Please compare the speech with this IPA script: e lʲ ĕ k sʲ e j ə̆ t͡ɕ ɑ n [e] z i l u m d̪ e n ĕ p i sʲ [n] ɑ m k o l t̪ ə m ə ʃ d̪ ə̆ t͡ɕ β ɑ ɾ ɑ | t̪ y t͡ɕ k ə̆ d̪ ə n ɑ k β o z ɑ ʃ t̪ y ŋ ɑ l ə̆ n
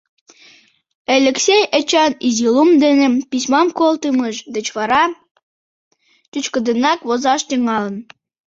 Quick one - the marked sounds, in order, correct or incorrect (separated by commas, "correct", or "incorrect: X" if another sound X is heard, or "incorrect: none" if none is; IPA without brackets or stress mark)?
incorrect: i, incorrect: m